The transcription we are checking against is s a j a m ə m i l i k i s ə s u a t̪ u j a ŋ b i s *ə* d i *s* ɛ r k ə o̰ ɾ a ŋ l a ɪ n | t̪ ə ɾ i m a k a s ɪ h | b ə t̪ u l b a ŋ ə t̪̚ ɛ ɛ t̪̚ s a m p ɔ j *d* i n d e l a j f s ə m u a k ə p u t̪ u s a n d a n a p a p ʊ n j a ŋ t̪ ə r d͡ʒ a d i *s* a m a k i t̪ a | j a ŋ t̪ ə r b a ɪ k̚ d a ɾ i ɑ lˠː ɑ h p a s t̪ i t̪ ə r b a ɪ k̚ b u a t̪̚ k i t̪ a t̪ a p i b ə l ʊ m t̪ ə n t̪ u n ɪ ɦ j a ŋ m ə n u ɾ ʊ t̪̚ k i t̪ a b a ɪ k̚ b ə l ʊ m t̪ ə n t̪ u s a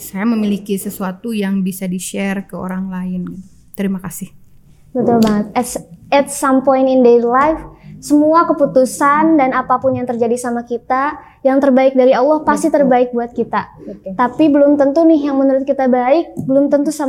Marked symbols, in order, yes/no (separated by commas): no, no, no, yes